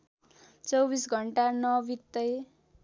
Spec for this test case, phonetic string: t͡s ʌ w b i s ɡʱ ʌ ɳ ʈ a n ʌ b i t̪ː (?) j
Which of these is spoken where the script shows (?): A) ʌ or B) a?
A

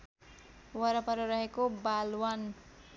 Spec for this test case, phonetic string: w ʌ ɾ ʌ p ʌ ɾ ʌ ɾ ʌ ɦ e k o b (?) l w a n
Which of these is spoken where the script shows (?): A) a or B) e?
A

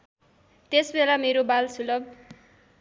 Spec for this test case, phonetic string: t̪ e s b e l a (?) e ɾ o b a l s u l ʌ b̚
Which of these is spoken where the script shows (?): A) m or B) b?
A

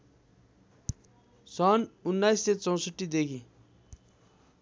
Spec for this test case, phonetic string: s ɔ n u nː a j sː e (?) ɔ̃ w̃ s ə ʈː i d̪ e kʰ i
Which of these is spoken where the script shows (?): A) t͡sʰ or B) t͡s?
B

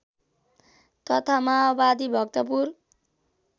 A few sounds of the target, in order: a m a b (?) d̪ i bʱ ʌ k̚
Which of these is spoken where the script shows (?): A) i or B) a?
B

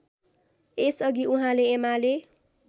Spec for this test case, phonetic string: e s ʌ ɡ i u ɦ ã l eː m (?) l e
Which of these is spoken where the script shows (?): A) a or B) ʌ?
A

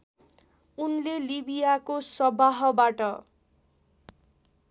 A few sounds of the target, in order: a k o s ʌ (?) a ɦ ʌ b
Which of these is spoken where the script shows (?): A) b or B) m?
A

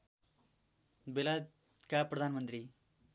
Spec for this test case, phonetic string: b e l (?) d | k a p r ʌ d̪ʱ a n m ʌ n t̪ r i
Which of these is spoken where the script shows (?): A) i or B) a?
B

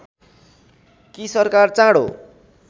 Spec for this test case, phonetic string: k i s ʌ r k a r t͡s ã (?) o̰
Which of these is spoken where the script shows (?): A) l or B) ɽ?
B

